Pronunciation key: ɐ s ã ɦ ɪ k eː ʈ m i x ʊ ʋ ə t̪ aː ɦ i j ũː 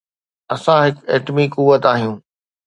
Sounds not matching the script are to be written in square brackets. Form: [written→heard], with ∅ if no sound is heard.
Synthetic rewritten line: ɐ s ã ɦ ɪ k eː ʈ m i [x→k] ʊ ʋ ə t̪ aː ɦ i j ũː